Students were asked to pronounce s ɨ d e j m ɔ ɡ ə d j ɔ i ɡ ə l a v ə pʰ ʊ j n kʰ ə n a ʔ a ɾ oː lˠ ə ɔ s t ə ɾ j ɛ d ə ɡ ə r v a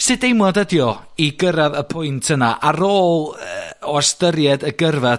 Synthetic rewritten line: s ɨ d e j m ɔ d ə d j ɔ i ɡ ə ɾ a ð ə pʰ ʊ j n tʰ ə n a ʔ a ɾ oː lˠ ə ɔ s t ə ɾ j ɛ d ə ɡ ə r v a